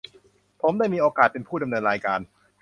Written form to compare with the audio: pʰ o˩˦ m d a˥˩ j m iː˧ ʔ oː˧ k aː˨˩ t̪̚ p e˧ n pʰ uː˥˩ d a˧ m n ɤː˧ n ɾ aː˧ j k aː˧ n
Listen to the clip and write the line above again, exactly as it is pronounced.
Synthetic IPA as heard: pʰ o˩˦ m d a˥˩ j m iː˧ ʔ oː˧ k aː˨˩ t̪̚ p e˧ n pʰ uː˥˩ d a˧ m n ɤː˧ n ɾ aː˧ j k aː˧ n